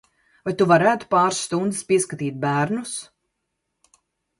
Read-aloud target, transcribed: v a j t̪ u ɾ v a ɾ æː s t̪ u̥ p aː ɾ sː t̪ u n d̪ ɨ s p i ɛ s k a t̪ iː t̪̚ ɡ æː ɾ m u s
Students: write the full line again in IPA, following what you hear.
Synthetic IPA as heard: v a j t̪ u v a ɾ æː t̪ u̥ p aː ɾ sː t̪ u n d̪ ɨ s p i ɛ s k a t̪ iː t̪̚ b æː ɾ n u s